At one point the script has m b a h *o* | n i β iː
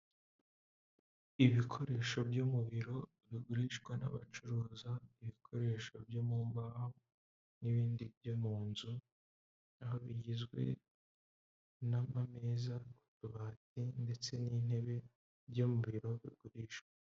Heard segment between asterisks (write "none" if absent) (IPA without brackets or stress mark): o